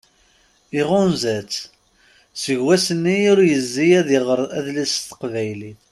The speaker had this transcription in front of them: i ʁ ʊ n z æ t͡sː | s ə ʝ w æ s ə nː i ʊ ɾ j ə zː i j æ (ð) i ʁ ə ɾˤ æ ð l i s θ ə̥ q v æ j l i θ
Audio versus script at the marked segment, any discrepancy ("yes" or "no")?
no